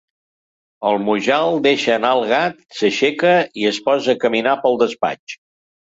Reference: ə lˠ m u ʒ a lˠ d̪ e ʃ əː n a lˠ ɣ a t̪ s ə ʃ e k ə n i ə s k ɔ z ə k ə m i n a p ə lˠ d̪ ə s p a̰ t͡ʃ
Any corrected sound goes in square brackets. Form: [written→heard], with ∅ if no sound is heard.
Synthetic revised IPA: ə lˠ m u ʒ a lˠ d̪ e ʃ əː n a lˠ ɣ a t̪ s ə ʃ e k ə [n→∅] i ə s [k→p] ɔ z ə k ə m i n a p ə lˠ d̪ ə s p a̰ t͡ʃ